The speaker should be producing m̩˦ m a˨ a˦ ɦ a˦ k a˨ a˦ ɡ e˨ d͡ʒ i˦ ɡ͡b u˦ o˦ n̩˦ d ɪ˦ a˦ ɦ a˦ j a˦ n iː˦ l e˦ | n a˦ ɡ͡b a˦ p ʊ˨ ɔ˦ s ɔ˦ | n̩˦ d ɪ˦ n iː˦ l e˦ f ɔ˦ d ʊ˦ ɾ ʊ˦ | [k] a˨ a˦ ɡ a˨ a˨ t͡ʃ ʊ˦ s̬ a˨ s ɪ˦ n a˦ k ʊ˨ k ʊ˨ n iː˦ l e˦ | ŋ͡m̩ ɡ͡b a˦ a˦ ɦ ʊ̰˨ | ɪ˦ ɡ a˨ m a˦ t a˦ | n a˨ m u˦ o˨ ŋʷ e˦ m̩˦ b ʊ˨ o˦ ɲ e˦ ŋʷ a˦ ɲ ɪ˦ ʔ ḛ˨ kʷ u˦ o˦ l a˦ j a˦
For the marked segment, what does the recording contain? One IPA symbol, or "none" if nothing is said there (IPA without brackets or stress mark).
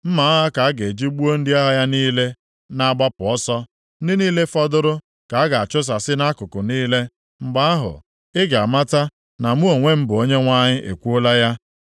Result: k